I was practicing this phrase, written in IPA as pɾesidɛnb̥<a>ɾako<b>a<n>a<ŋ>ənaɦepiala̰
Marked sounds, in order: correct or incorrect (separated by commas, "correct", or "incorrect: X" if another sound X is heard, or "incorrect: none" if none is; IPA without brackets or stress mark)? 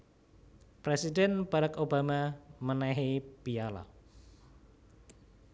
correct, correct, incorrect: m, incorrect: m